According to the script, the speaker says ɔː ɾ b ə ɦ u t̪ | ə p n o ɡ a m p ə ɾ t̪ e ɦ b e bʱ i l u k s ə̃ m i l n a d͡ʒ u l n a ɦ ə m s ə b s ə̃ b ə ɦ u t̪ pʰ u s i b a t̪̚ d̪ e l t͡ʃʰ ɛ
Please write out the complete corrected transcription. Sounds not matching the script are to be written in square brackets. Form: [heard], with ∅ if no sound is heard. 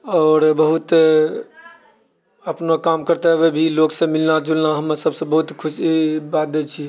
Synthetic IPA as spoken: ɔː ɾ b ə ɦ u t̪ | ə p n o [k] a m [k] ə ɾ t̪ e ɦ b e bʱ i l [o] k s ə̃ m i l n a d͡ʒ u l n a ɦ ə m s ə b s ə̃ b ə ɦ u t̪ [kʰ] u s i b a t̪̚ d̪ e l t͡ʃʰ [i]

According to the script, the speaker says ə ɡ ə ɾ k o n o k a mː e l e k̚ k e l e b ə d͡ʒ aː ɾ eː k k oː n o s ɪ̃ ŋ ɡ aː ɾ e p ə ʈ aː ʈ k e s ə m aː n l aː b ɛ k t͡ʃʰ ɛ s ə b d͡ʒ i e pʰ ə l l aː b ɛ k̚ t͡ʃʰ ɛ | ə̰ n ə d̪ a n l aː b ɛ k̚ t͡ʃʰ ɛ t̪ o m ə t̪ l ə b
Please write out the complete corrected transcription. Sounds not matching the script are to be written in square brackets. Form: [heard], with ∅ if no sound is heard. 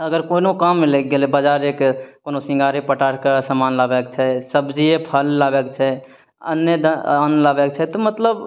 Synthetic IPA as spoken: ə ɡ ə ɾ k o n o k a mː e l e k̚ [ɡ] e l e b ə d͡ʒ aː ɾ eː k k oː n o s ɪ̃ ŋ ɡ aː ɾ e p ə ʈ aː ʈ k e s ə m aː n l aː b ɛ k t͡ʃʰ ɛ s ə b d͡ʒ i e pʰ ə l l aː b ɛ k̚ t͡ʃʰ ɛ | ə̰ n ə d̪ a n l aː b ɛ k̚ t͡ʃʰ ɛ t̪ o m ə t̪ l ə b

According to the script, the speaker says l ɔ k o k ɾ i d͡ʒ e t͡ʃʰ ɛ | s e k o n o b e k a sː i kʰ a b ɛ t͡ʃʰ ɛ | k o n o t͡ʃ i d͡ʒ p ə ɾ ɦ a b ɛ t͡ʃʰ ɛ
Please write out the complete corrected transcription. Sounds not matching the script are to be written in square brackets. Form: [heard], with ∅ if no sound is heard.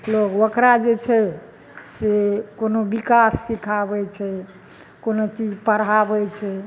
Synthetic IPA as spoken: l [o] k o k ɾ [a] d͡ʒ e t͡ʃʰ ɛ | s e k o n o b [i] k a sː i kʰ a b ɛ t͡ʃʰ ɛ | k o n o t͡ʃ i d͡ʒ p ə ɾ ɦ a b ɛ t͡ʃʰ ɛ

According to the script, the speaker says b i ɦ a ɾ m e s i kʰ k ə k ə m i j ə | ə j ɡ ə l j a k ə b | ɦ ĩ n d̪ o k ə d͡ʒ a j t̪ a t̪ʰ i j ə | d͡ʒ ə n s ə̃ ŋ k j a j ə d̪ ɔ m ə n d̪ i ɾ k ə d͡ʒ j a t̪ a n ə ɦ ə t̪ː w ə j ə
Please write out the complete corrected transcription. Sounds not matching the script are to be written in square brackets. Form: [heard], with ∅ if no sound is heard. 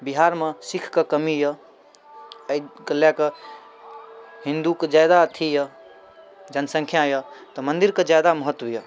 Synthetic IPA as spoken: b i ɦ a ɾ m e s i kʰ k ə k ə m i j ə | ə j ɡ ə l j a k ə [∅] | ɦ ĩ n d̪ [u] k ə d͡ʒ a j [d̪] a t̪ʰ i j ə | d͡ʒ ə n s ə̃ ŋ [kʰ] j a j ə [t̪] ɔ m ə n d̪ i ɾ k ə d͡ʒ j a [d̪] a [m] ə ɦ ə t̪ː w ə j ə

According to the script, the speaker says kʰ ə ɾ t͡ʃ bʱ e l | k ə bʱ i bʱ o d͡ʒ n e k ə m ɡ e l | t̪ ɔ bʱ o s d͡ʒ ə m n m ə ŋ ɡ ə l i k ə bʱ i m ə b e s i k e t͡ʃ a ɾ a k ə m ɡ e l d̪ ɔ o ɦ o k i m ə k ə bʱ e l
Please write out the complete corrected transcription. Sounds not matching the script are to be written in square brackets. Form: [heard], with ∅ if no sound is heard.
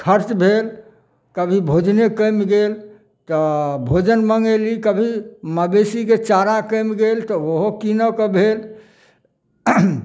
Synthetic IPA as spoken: kʰ ə ɾ t͡ʃ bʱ e l | k ə bʱ i bʱ o d͡ʒ n e k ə m ɡ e l | t̪ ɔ bʱ o [∅] d͡ʒ ə [∅] n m ə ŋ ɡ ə l i k ə bʱ i m ə b e s i k e t͡ʃ a ɾ a k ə m ɡ e l [t̪] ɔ o ɦ o k i [n] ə k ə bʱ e l

